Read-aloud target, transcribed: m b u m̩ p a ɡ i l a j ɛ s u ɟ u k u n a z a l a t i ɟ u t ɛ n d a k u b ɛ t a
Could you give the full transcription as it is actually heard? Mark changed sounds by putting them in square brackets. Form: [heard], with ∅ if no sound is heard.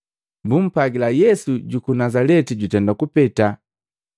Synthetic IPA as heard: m b u m̩ p a ɡ i l a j ɛ s u ɟ u k u n a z a l [ɛ] t i ɟ u t ɛ n d a k u [p] ɛ t a